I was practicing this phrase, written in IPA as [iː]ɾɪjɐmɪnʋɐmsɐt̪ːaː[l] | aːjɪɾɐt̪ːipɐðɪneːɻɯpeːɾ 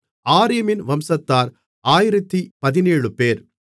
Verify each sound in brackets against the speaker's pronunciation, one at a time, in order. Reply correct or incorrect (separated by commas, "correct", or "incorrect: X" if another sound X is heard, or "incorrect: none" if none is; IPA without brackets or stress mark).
incorrect: aː, incorrect: ɾ